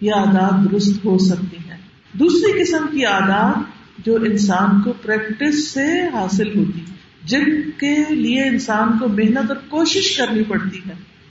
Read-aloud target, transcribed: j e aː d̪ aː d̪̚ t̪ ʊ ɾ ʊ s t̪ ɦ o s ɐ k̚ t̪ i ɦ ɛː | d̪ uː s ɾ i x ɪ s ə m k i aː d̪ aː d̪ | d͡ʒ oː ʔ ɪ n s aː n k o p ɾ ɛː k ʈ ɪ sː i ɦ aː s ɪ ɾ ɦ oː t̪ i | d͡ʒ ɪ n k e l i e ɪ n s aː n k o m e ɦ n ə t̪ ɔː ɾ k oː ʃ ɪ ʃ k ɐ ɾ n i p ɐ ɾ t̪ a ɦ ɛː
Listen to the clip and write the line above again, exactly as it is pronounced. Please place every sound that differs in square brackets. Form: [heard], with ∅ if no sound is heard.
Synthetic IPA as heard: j e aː d̪ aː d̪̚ [d̪] ʊ ɾ ʊ s t̪ ɦ o s ɐ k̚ t̪ i ɦ ɛː | d̪ uː s ɾ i [k] ɪ s ə m k i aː d̪ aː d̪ | d͡ʒ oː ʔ ɪ n s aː n k o p ɾ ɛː k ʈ ɪ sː [e] ɦ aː s ɪ [l] ɦ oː t̪ i | d͡ʒ ɪ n k e l i e ɪ n s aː n k o m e ɦ n ə t̪ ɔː ɾ k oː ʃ ɪ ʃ k ɐ ɾ n i p ɐ [ɽ] t̪ [i] ɦ ɛː